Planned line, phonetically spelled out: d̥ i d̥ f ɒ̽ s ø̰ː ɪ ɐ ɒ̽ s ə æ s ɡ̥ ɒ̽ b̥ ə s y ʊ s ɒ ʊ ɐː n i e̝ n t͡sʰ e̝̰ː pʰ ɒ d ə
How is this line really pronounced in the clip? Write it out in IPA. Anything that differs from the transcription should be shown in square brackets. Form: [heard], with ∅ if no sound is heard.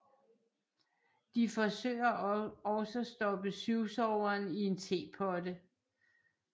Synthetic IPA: d̥ i [∅] f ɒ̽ s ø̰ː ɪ ɐ ɒ̽ s ə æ s [d̥] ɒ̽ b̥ ə s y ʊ s ɒ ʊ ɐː n i e̝ n t͡sʰ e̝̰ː pʰ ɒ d ə

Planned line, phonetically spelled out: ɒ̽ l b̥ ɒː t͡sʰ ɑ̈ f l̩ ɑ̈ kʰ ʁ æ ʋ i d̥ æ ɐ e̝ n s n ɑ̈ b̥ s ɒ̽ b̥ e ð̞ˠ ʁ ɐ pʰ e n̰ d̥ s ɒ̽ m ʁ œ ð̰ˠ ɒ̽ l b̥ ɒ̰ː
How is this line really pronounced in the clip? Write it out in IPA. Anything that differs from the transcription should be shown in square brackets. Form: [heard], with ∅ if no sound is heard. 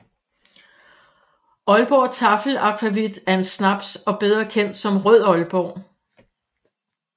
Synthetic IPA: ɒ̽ l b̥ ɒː t͡sʰ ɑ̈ f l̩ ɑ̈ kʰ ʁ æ ʋ i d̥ æ ɐ e̝ n s n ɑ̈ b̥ s ɒ̽ b̥ e ð̞ˠ ʁ ɐ [kʰ] e n̰ d̥ s ɒ̽ m ʁ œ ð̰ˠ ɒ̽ l b̥ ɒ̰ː

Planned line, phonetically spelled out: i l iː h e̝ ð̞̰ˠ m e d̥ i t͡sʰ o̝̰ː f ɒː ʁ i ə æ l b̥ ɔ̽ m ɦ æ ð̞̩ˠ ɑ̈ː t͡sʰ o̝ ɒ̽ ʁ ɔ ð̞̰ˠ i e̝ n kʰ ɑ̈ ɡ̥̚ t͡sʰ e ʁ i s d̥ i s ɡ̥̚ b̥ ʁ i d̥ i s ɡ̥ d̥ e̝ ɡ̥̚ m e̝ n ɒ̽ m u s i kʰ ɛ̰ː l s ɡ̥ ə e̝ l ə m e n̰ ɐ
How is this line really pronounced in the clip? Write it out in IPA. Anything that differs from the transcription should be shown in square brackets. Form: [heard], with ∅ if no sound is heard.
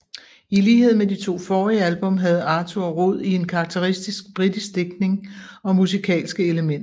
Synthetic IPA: i l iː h e̝ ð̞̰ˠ m e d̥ i t͡sʰ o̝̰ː f ɒː ʁ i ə æ l b̥ ɔ̽ m ɦ æ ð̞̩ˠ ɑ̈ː t͡sʰ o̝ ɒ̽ ʁ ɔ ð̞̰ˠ i e̝ n kʰ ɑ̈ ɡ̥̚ t͡sʰ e ʁ i s d̥ i s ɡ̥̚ b̥ ʁ i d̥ i s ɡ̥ d̥ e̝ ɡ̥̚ [n] e̝ [ŋ] ɒ̽ m u s i kʰ ɛ̰ː l s ɡ̥ ə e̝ l ə m e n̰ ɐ

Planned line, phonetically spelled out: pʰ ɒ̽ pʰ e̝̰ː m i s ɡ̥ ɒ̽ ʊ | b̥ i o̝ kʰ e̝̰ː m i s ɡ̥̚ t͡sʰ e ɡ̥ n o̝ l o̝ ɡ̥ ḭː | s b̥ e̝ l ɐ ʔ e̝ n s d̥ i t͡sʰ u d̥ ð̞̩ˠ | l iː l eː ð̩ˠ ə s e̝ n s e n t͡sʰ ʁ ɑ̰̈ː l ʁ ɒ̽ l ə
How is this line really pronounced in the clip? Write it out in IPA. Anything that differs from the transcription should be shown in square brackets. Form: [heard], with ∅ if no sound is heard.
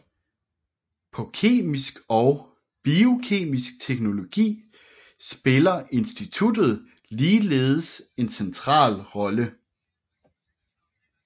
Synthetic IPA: pʰ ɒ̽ [kʰ] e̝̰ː m i s ɡ̥ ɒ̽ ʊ | b̥ i o̝ kʰ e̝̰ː m i s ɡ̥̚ t͡sʰ e ɡ̥ n o̝ l o̝ ɡ̥ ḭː | s b̥ e̝ l ɐ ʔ e̝ n s d̥ i t͡sʰ u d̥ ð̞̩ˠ | l iː l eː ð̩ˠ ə s e̝ n s e n t͡sʰ ʁ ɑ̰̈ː l ʁ ɒ̽ l ə

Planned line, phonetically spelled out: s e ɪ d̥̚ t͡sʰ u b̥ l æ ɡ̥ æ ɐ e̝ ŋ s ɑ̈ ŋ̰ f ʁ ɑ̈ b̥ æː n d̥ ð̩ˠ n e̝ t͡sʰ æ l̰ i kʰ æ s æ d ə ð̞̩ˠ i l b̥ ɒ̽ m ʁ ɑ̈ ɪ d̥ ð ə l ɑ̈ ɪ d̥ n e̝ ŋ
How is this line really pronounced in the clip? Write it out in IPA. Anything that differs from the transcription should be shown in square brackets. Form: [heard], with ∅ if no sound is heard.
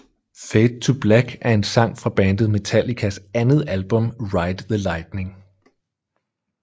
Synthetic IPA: [f] e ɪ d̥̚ t͡sʰ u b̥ l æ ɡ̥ æ ɐ e̝ [n] s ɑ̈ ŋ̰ f ʁ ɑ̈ b̥ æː n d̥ ð̩ˠ [m] e̝ t͡sʰ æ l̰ i kʰ æ s æ [n] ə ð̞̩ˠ [æ] l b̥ [ɔ̽] m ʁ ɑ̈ ɪ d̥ ð ə l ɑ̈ ɪ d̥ n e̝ ŋ

